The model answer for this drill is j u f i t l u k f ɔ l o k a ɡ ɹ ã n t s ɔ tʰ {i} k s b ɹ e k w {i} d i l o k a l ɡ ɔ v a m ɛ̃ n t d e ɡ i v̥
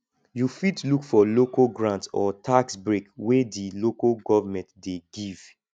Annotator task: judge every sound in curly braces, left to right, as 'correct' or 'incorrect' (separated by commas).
incorrect, incorrect